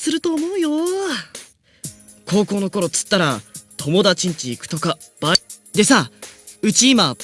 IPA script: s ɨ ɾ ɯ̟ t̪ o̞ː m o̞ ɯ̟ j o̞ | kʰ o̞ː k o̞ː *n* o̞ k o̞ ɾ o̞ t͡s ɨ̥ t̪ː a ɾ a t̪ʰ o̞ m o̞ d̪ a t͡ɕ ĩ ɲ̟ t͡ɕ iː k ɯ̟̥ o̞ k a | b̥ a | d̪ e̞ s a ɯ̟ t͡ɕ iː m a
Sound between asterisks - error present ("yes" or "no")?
no